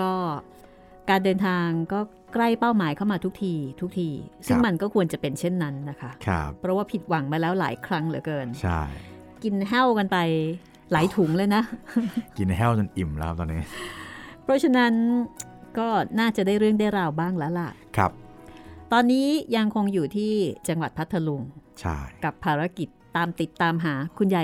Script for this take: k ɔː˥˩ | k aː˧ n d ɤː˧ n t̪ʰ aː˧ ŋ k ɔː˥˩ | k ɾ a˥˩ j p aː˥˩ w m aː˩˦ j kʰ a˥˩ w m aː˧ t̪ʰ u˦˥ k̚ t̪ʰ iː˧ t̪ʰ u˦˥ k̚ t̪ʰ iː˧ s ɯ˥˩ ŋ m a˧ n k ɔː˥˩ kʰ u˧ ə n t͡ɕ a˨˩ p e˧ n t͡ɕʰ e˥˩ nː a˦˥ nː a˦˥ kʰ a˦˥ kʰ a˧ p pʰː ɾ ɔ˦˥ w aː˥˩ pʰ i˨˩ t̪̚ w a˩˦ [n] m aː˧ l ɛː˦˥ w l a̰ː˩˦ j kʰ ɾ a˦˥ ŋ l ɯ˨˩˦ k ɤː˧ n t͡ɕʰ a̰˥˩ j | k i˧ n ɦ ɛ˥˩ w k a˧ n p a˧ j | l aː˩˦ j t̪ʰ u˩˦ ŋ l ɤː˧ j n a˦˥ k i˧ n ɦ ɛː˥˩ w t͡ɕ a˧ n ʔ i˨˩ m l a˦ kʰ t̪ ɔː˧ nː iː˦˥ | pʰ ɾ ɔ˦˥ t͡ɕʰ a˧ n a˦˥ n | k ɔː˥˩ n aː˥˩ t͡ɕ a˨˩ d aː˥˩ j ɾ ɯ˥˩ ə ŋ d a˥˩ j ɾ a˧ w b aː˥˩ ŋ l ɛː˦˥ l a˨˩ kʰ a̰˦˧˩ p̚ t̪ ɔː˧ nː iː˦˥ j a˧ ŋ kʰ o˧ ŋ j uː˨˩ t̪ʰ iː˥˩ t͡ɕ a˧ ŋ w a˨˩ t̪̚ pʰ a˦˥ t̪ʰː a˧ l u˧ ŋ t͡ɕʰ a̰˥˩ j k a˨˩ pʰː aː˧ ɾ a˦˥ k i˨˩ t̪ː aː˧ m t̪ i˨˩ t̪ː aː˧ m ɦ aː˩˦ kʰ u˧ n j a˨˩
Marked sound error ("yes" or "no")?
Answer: yes